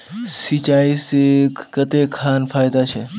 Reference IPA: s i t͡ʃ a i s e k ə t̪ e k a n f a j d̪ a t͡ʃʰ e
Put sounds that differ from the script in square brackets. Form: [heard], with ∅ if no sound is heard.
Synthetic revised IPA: s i t͡ʃ a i s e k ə t̪ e [kʰ] a n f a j d̪ a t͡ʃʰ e